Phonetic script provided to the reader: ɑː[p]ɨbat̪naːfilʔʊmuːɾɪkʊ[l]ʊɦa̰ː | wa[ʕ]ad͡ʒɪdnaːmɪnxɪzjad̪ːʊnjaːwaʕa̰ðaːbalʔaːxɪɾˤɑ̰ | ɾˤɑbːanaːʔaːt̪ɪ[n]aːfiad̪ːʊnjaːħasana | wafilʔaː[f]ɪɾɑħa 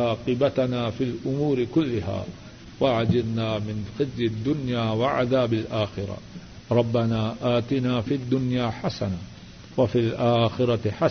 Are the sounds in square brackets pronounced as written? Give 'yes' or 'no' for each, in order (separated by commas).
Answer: no, no, yes, yes, no